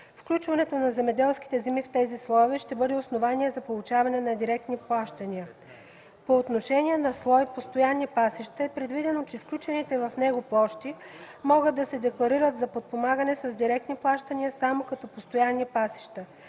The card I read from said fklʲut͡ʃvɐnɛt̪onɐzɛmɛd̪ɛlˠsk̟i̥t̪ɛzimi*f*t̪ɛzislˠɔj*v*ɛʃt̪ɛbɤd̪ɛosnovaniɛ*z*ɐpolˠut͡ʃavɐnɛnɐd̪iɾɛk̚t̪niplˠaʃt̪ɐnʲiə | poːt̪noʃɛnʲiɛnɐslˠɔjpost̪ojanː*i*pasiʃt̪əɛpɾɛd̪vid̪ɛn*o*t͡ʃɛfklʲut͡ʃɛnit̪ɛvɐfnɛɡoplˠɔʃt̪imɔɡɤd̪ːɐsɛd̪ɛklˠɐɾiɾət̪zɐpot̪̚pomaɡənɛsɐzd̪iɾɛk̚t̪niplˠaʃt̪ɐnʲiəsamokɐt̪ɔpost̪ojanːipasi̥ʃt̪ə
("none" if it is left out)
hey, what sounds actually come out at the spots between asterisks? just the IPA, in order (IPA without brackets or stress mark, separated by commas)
f, v, z, i, o